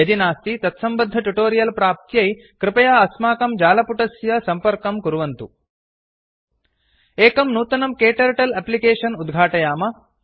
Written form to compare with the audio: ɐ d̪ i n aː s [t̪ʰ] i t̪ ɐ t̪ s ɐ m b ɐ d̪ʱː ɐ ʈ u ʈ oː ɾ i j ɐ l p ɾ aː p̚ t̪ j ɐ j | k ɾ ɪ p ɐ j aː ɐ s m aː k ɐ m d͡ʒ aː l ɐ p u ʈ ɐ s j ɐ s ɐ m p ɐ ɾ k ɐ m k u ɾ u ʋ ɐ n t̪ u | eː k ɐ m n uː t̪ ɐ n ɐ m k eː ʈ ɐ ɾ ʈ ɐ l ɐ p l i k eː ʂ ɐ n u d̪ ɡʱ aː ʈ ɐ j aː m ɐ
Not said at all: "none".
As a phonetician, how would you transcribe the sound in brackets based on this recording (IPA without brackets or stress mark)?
t̪